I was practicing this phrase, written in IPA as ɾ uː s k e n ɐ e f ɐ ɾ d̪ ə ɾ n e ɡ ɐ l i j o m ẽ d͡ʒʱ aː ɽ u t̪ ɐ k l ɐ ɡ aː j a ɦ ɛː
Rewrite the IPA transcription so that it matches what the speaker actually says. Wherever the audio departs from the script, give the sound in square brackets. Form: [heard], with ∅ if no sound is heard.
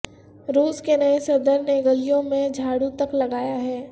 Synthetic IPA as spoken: ɾ uː s k e n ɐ e [s] ɐ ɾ d̪ ə ɾ n e ɡ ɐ l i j [õ] m ẽ d͡ʒʱ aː ɽ u t̪ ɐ k l ɐ ɡ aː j a ɦ ɛː